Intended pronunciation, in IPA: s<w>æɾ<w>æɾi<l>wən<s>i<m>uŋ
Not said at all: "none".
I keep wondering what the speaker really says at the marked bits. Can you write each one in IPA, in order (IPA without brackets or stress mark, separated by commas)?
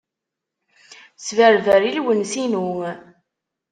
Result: v, v, l, s, n